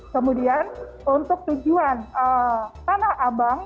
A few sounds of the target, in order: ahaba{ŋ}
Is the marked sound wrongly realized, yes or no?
no